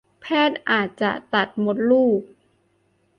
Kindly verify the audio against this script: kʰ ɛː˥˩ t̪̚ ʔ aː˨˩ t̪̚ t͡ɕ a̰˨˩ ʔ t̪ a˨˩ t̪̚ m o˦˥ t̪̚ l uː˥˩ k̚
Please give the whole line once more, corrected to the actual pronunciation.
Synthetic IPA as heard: pʰ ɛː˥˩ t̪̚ ʔ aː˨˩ t̪̚ t͡ɕ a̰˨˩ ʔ t̪ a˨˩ t̪̚ m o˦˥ t̪̚ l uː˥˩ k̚